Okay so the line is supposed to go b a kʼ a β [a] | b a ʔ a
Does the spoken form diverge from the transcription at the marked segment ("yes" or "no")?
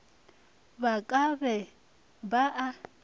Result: yes